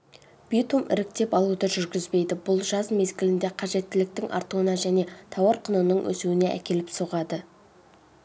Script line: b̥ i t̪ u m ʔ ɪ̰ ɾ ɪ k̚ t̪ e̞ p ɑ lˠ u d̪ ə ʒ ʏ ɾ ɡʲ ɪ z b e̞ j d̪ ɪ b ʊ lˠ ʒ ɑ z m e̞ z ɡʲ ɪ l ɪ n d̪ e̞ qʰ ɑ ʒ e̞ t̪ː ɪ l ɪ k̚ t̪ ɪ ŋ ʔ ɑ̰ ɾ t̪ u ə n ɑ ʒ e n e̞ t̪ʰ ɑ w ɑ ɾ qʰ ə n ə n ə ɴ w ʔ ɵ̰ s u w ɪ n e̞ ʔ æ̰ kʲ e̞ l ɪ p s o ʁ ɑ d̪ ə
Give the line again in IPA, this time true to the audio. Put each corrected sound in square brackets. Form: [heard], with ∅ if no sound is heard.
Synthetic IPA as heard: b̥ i t̪ u m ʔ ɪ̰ ɾ ɪ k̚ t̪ e̞ p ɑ lˠ u d̪ ə ʒ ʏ ɾ ɡʲ ɪ z b e̞ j d̪ ɪ b ʊ lˠ ʒ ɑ z m e̞ z ɡʲ ɪ l ɪ n d̪ e̞ qʰ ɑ ʒ e̞ t̪ː ɪ l ɪ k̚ t̪ ɪ ŋ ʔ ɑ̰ ɾ t̪ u ə n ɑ ʒ [æ] n e̞ t̪ʰ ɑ w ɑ ɾ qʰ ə n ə n ə ɴ w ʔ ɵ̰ s u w ɪ n e̞ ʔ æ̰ kʲ e̞ l ɪ p s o ʁ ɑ d̪ ə